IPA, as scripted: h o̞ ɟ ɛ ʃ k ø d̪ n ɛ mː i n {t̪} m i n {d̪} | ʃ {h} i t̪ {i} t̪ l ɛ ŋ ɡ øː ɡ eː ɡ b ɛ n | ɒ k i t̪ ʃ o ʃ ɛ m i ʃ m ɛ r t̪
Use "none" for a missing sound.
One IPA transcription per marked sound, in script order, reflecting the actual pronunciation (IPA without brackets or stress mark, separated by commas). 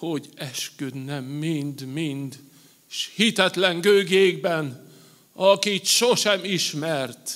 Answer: d̪, d̪, h, ɛ